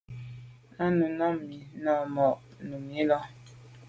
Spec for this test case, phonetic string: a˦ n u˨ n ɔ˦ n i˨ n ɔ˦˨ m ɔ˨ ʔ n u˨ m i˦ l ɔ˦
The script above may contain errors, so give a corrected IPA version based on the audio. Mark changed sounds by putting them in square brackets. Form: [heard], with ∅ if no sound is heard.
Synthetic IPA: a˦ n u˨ n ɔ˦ [m] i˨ n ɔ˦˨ m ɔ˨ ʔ n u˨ m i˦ l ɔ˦